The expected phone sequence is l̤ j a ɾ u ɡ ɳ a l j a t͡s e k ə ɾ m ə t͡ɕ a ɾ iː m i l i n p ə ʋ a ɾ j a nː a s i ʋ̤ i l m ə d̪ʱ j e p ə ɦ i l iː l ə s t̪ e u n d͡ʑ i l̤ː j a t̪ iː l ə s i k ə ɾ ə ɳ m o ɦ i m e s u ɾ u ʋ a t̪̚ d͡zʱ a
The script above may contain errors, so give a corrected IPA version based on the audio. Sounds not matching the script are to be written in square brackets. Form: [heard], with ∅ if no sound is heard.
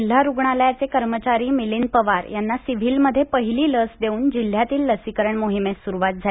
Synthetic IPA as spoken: l̤ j a ɾ u ɡ ɳ a l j a t͡s e k ə ɾ m ə t͡ɕ a ɾ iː m i l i n p ə ʋ a ɾ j a nː a s i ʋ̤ i l m ə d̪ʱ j e p ə ɦ i l iː l ə s [d̪] e [uː] n d͡ʑ i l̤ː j a t̪ iː [lː] ə s i k ə ɾ ə ɳ m o ɦ i m e s u ɾ u ʋ a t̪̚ d͡zʱ a